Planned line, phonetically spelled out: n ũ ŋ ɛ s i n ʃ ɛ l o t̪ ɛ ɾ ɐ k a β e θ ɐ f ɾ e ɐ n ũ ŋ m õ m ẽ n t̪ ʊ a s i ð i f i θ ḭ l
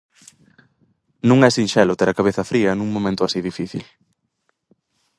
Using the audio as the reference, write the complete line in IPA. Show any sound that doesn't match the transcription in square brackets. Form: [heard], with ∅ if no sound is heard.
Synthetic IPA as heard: n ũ ŋ ɛ s i n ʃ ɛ l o t̪ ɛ ɾ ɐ k a β e θ ɐ f ɾ [i] ɐ n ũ ŋ m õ m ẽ n t̪ ʊ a s i ð i f i θ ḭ l

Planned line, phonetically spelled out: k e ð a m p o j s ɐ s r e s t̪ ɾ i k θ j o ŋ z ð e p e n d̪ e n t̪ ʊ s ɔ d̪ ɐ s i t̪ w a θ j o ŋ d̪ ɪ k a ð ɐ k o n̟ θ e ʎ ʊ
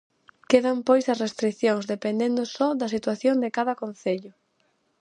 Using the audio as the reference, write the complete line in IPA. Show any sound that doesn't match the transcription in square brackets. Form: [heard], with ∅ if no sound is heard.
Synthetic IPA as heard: k e ð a m p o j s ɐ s r e s t̪ ɾ i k θ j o ŋ z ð e p e n d̪ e n [d̪] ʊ s ɔ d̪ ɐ s i t̪ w a θ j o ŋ d̪ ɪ k a ð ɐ k o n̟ θ e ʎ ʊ

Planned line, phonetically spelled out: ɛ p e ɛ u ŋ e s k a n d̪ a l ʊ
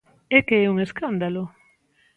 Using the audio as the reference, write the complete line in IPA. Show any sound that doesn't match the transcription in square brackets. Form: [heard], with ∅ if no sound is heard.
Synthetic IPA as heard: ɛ [k] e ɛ u ŋ e s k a n d̪ a l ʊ

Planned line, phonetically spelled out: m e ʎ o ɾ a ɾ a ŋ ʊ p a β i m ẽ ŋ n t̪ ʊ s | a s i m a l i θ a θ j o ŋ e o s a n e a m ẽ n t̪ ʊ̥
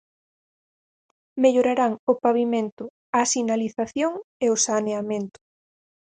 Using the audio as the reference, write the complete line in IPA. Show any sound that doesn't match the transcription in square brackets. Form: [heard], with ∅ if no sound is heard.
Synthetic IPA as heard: m e ʎ o ɾ a ɾ a ŋ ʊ p a β i m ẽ [∅] n t̪ ʊ [∅] | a s i [n] a l i θ a θ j o ŋ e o s a n e a m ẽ n t̪ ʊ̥

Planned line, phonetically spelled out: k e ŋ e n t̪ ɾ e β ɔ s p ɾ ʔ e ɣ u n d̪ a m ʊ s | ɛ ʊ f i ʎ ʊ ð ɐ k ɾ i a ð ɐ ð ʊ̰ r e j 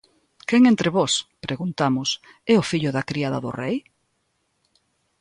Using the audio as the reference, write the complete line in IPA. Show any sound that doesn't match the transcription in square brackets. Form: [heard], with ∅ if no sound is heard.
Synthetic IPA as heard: k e ŋ e n t̪ ɾ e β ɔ s p ɾ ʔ e ɣ u n [t̪] a m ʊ s | ɛ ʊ f i ʎ ʊ ð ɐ k ɾ i a ð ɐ ð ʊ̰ r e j

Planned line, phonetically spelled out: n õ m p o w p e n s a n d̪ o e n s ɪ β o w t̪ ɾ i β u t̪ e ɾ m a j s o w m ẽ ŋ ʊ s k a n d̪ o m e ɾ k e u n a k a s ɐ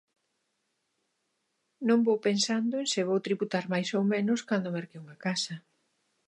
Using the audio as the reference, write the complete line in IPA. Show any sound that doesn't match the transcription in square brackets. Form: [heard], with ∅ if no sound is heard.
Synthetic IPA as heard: n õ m [b] o w p e n s a n d̪ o e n s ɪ β o w t̪ ɾ i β u t̪ [a] ɾ m a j s o w m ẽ [n] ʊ s k a n d̪ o m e ɾ k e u [ŋ] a k a s ɐ

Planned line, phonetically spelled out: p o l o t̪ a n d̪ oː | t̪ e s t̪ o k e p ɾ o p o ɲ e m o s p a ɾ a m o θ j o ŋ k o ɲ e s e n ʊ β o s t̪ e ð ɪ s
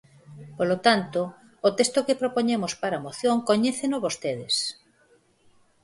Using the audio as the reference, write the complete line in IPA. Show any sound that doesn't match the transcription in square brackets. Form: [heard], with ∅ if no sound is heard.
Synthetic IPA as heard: p o l o t̪ a n [t̪] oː | t̪ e s t̪ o k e p ɾ o p o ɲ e m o s p a ɾ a m o θ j o ŋ k o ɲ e [θ] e n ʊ β o s t̪ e ð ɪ s

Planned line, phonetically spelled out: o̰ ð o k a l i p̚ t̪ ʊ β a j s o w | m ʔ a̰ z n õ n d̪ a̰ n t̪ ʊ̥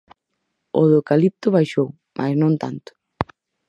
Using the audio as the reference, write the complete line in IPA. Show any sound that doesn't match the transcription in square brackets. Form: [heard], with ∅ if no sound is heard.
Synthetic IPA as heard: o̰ ð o k a l i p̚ t̪ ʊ β a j [ʃ] o w | m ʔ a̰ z n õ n [t̪] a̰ n t̪ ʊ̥

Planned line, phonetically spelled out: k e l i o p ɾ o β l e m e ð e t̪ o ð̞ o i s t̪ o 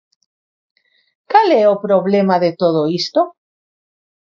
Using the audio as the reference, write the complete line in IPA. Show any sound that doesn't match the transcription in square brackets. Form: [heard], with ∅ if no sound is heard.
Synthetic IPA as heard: k [a] l [e] o p ɾ o β l e m [a] ð e t̪ o ð̞ o i s t̪ o

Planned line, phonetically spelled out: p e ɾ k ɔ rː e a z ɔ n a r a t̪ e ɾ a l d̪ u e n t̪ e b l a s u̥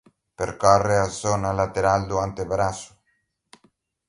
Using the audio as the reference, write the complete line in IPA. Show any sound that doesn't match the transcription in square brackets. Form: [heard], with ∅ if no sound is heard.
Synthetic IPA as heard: p e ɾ k ɔ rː e a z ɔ n a [l] a t̪ e ɾ a l d̪ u [a] n t̪ e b [ɾ] a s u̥

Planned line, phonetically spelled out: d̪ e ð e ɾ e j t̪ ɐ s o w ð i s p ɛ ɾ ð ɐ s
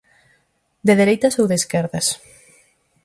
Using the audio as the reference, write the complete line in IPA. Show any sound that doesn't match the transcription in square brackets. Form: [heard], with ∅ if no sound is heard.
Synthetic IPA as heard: d̪ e ð e ɾ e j t̪ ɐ s o w ð [e] s [k] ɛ ɾ ð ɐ s

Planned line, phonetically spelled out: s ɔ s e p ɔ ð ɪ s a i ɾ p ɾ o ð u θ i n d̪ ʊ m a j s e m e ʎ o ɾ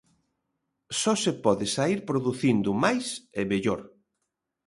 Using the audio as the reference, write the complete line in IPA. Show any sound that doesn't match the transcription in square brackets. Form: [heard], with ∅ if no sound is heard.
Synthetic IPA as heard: s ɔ s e p ɔ ð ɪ s a i ɾ p ɾ o ð u θ i n d̪ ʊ m a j s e m e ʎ o ɾ

